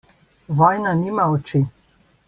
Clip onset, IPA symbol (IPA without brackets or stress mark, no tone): ʋ